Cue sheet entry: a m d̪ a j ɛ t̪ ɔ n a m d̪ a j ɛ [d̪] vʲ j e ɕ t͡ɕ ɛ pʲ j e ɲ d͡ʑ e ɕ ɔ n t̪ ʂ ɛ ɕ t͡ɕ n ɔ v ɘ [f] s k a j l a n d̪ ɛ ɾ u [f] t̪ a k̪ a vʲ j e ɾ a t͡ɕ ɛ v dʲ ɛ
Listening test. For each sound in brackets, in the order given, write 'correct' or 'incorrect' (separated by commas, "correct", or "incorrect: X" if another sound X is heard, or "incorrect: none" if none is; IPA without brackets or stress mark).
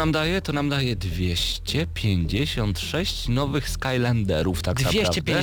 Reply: correct, incorrect: x, correct